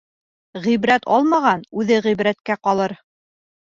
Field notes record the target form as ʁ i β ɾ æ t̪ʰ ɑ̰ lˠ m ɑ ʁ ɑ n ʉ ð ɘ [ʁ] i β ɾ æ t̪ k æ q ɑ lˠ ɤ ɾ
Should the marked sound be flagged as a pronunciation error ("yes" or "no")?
no